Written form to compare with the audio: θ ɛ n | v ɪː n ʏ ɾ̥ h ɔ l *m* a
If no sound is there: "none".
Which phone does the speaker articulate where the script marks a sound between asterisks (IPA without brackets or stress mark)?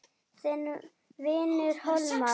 m